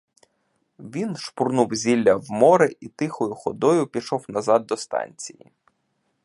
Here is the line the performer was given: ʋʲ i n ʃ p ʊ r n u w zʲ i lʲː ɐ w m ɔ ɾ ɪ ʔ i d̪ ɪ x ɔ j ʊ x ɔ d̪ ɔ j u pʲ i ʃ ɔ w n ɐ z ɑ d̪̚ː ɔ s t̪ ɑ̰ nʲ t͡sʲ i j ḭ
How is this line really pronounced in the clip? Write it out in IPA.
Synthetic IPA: ʋʲ i n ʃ p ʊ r n u w zʲ i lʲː ɐ w m ɔ ɾ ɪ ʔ i t̪ ɪ x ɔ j ʊ x ɔ d̪ ɔ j ʊ pʲ i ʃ ɔ w n ɐ z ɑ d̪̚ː ɔ s t̪ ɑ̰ nʲ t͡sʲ i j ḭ

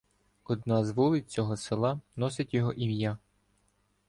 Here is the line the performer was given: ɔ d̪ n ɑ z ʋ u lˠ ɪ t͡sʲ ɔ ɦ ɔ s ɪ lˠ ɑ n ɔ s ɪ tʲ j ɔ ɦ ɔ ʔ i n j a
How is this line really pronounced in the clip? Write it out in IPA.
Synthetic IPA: ɔ d̪ n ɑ z ʋ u lˠ ɪ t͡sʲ ɔ ɦ ɔ s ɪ lˠ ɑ n ɔ s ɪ tʲ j ɔ ɦ ɔ ʔ i m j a

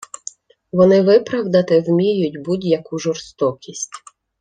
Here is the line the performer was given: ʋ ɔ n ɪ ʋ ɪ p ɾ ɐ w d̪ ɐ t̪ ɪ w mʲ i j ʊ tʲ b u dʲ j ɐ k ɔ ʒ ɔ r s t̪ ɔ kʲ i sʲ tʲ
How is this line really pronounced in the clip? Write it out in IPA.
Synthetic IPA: ʋ ɔ n ɪ ʋ ɪ p ɾ ɐ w d̪ ɐ t̪ ɪ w mʲ i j ʊ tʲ b u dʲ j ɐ k u ʒ ɔ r s t̪ ɔ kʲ i sʲ tʲ

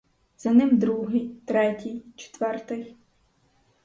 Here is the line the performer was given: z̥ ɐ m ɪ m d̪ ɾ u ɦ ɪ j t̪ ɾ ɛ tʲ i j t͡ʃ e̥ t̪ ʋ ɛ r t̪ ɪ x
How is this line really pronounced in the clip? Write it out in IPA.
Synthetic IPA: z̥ ɐ n ɪ m d̪ ɾ u ɦ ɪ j t̪ ɾ ɛ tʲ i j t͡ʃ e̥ t̪ ʋ ɛ r t̪ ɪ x

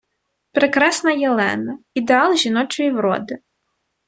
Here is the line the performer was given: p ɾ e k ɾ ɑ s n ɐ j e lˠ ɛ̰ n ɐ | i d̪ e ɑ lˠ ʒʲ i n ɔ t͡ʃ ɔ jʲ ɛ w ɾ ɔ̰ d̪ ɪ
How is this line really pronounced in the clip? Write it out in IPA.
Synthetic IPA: p ɾ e k ɾ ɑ s n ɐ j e lˠ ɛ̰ n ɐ | i d̪ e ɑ lˠ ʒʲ i n ɔ t͡ʃ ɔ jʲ i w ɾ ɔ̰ d̪ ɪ

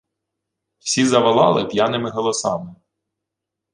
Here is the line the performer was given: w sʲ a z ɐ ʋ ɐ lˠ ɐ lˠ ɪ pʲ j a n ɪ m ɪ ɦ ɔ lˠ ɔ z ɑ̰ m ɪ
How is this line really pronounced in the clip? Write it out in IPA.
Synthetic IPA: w sʲ i z ɐ ʋ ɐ lˠ ɑ lˠ ɪ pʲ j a n ɪ m ɪ ɦ ɔ lˠ ɔ s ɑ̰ m ɪ

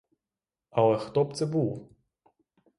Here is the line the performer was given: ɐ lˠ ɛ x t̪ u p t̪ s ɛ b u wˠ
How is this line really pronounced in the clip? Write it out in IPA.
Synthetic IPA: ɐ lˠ ɛ x t̪ ɔ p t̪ s ɛ b u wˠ

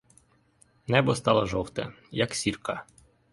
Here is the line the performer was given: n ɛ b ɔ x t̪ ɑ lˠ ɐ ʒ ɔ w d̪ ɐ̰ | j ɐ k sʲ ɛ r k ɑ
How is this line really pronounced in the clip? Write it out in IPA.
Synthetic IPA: n ɛ b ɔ s t̪ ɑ lˠ ɐ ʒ ɔ w t̪ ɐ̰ | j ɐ k sʲ i r k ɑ

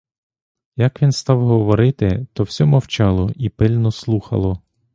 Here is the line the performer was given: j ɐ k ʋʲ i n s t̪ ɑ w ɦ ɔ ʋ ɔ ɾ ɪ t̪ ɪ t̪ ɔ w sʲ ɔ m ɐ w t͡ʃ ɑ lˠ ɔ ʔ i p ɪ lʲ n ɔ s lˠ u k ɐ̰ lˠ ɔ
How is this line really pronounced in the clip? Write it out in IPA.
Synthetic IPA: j ɐ k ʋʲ i n s t̪ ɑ w ɦ ɔ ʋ ɔ ɾ ɪ t̪ ɪ t̪ ɔ w sʲ ɔ m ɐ w t͡ʃ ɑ lˠ ɔ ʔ i p ɪ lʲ n ɔ s lˠ u x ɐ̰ lˠ ɔ

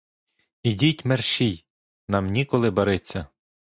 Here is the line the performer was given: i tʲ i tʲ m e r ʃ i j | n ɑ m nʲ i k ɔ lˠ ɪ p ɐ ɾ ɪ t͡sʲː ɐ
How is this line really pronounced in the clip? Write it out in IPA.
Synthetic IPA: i dʲ i tʲ m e r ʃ i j | n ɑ m nʲ i k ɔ lˠ ɪ b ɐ ɾ ɪ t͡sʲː ɐ

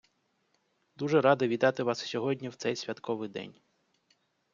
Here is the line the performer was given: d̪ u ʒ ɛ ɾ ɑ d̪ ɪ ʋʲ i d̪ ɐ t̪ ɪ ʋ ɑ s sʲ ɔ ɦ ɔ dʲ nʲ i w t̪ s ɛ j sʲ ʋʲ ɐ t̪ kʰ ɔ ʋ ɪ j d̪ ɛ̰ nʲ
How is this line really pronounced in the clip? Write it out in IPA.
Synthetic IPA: d̪ u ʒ ɛ ɾ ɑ d̪ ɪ ʋʲ i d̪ ɑ t̪ ɪ ʋ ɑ s sʲ ɔ ɦ ɔ dʲ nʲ i w t̪ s ɛ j sʲ ʋʲ ɐ t̪ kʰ ɔ ʋ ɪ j d̪ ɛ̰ nʲ

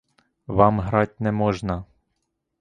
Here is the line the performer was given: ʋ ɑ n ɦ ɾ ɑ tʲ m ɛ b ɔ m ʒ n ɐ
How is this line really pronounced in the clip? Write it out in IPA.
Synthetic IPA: ʋ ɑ m ɦ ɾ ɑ tʲ n ɛ m ɔ ʒ n ɐ

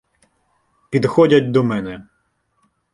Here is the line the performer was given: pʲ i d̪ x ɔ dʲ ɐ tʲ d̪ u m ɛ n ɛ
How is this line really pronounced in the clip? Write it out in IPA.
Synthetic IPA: pʲ i d̪ x ɔ dʲ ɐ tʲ d̪ ɔ m ɛ n ɛ

